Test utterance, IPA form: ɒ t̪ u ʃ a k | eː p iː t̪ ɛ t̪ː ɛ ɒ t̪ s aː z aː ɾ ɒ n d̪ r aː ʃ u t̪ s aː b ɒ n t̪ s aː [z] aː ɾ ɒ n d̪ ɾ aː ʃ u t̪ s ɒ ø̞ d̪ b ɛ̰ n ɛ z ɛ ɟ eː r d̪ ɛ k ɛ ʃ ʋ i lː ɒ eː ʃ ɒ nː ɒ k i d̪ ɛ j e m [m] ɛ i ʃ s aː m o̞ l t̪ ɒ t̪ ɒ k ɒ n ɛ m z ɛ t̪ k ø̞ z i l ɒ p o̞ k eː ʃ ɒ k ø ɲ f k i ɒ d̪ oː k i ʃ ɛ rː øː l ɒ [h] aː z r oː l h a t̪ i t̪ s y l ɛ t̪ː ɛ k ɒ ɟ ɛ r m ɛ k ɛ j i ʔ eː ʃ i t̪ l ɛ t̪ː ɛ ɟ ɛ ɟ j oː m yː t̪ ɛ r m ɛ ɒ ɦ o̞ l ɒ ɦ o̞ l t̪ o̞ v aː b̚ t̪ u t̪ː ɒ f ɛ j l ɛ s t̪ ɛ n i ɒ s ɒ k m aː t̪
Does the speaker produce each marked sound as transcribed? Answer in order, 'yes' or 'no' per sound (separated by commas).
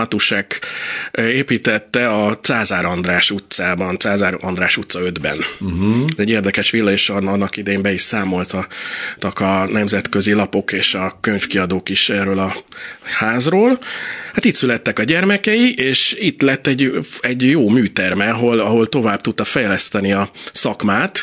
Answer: yes, no, yes